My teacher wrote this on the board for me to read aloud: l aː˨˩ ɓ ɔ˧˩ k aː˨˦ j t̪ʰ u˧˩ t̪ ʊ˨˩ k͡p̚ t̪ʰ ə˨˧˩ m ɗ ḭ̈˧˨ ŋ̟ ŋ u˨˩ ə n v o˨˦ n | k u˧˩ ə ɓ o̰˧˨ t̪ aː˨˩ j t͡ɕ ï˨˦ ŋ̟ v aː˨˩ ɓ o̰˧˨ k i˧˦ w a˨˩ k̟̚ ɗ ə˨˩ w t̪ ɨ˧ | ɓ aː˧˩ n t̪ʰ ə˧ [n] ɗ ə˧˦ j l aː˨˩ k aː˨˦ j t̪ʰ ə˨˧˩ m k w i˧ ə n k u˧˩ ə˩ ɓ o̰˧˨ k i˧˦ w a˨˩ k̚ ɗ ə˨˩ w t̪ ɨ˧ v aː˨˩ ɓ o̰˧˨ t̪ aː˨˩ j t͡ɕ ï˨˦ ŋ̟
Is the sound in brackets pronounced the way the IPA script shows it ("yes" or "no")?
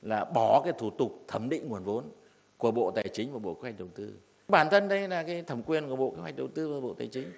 yes